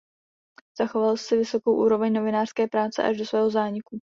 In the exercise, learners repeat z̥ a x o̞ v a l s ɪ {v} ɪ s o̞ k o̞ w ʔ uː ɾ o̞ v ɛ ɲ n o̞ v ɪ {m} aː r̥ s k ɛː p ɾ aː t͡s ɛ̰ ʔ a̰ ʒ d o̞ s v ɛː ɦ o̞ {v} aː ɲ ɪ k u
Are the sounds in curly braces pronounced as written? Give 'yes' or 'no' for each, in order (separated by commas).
yes, no, no